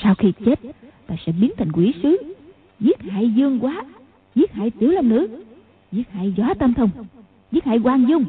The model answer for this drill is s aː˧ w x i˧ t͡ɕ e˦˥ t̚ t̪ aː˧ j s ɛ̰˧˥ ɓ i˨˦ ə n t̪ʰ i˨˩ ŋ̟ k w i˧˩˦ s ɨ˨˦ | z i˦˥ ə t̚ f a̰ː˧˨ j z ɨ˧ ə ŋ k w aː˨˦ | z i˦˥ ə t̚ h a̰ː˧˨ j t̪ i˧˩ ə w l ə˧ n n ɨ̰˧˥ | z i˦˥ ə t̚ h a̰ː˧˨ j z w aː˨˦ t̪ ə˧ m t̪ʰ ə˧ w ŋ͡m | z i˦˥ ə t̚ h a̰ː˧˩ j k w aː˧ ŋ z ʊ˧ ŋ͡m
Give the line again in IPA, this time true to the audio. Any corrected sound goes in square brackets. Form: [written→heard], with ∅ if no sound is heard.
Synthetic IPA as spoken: s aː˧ w x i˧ t͡ɕ e˦˥ t̚ t̪ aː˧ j s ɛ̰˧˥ ɓ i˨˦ ə n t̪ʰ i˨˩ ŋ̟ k w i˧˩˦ s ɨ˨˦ | z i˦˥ ə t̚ [f→h] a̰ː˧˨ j z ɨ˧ ə ŋ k w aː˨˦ | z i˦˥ ə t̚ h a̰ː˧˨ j t̪ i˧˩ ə w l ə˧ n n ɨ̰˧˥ | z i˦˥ ə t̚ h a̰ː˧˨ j z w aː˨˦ t̪ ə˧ m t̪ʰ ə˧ w ŋ͡m | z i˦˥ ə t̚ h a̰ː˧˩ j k w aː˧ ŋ z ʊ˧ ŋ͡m